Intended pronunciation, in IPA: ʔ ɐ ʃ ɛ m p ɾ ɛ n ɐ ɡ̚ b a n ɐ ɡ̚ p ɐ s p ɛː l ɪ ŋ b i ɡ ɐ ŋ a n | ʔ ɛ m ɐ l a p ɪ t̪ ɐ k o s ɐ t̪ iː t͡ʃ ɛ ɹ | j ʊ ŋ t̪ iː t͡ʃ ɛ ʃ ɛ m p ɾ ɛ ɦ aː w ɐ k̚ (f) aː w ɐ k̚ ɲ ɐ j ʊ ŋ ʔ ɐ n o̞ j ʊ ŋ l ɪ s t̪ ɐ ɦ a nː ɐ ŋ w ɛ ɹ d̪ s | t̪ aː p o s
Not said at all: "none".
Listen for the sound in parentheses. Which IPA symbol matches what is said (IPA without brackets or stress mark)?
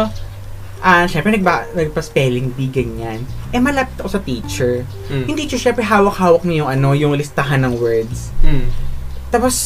h